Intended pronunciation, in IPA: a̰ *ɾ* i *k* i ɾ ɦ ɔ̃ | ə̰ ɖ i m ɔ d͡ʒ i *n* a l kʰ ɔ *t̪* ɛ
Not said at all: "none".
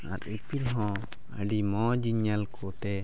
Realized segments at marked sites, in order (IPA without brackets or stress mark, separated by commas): ɾ, p, ɲ, t̪